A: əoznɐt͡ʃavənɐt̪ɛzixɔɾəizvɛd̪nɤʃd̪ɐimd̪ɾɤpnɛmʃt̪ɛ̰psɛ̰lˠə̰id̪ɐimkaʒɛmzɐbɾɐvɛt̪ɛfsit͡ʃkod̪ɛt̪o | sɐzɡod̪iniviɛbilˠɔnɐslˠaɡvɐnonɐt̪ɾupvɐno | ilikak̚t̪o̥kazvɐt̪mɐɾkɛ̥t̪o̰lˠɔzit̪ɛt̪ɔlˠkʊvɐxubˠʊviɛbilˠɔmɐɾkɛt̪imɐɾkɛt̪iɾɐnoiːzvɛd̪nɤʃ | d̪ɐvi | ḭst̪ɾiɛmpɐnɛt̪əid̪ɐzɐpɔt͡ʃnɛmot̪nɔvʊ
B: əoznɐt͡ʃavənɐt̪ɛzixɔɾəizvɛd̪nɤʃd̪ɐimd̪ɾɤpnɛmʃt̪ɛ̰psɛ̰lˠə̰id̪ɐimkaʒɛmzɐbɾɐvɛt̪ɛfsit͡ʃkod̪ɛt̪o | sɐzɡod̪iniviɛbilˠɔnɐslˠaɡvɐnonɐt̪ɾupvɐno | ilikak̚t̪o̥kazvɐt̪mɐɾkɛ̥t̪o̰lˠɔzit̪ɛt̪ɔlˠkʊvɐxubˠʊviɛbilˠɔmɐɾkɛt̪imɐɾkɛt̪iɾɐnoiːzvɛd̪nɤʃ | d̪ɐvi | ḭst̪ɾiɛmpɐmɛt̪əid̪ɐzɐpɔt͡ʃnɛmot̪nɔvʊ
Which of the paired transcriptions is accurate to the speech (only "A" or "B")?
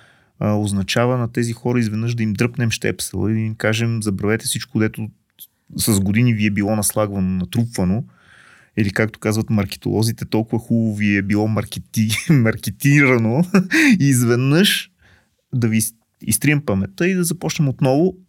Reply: B